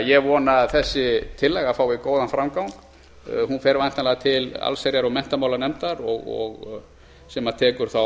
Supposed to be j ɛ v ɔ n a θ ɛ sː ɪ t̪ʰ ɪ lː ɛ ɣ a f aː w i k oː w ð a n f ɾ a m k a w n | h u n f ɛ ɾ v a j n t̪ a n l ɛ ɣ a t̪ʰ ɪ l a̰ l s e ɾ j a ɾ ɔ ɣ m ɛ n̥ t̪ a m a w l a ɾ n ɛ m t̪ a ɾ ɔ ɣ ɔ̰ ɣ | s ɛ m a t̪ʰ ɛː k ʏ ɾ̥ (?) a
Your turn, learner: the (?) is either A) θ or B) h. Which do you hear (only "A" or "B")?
A